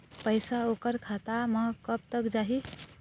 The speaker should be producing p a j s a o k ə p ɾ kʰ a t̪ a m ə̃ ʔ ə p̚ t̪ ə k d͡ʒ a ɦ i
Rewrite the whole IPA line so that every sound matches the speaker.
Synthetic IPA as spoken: p ə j s a o k ə ɾ kʰ a t̪ a m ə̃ k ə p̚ t̪ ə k d͡ʒ a ɦ i